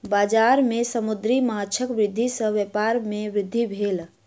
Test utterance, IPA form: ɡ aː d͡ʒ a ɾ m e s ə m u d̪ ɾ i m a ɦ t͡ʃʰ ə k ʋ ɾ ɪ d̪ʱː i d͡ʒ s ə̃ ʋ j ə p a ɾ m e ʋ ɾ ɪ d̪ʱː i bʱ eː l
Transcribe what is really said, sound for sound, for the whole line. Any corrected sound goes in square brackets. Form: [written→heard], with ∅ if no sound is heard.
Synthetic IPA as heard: [ɡ→b] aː d͡ʒ a ɾ m e s ə m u d̪ ɾ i m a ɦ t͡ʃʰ ə k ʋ ɾ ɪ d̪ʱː i [d͡ʒ→∅] s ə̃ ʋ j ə p a ɾ m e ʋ ɾ ɪ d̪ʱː i bʱ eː l